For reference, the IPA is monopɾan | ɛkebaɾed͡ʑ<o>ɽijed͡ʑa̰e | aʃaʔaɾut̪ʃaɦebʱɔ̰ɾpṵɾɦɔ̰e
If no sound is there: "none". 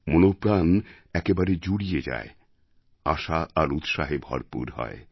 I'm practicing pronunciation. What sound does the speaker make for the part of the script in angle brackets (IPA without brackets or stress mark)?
u